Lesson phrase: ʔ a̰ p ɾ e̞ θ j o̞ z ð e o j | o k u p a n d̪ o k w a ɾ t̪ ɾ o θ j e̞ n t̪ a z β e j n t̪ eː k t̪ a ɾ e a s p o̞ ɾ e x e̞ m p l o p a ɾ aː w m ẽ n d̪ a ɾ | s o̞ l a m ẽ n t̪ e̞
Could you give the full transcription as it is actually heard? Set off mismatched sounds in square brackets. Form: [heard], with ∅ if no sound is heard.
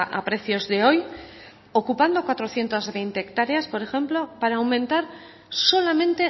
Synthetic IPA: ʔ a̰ p ɾ e̞ θ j o̞ z ð e o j | o k u p a n d̪ o k w a [∅] t̪ ɾ o θ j e̞ n t̪ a z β e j n t̪ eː k t̪ a ɾ e a s p o̞ ɾ e x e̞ m p l o p a ɾ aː w m ẽ n [t̪] a ɾ | s o̞ l a m ẽ n t̪ e̞